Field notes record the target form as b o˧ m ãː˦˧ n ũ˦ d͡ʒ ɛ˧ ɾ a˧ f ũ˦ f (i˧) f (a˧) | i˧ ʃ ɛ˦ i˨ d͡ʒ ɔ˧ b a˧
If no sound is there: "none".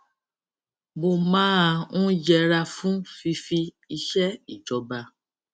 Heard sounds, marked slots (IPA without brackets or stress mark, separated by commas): i˧, i˧